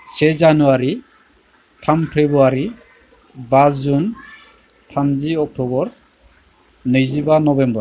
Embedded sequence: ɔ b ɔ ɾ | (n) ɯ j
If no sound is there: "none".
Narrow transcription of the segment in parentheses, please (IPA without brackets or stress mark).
n